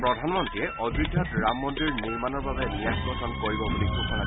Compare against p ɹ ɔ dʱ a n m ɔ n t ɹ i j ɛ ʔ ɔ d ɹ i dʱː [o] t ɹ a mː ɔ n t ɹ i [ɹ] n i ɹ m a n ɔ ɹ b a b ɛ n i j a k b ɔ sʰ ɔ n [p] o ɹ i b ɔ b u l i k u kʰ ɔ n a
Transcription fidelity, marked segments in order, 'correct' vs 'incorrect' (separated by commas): incorrect, correct, incorrect